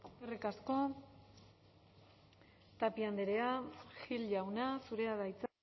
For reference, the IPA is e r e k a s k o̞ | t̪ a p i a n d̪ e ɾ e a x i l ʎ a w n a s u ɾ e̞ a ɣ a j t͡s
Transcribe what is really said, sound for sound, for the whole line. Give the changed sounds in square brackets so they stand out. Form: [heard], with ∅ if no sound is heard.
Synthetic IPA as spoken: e r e k a s k o̞ | t̪ a p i a n d̪ e ɾ e a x i l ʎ a w n a s u ɾ e̞ a [ð] a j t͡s